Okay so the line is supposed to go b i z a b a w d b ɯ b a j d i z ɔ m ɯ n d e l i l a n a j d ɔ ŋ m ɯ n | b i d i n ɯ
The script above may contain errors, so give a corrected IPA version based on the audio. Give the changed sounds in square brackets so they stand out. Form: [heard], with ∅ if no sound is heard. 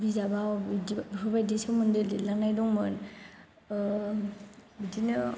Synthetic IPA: b i z a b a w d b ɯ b a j d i [s] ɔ m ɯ n d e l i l a n a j d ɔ ŋ m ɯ n | b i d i n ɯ